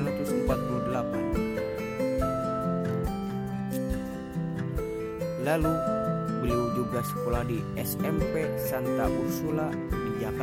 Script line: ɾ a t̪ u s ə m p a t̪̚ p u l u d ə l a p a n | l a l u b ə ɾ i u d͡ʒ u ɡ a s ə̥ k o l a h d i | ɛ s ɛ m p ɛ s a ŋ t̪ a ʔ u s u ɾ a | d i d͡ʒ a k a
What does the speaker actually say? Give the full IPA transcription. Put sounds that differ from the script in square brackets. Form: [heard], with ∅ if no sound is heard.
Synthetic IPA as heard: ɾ a t̪ u s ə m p a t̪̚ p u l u d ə l a p a n | l a l u b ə [l] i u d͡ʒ u ɡ a s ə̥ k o l a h d i | ɛ s ɛ m p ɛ s a [n] t̪ a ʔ u s u [l] a | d i d͡ʒ a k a